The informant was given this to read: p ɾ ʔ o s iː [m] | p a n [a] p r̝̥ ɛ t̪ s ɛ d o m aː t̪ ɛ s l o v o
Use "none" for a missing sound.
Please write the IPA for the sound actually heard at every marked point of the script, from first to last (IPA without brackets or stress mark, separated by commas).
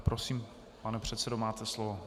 m, ɛ